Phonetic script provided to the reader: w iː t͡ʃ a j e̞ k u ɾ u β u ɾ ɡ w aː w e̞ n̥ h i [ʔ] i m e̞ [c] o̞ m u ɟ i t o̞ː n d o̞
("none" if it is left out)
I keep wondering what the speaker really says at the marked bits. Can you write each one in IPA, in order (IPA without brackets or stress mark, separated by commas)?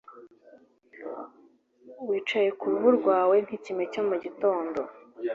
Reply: c, c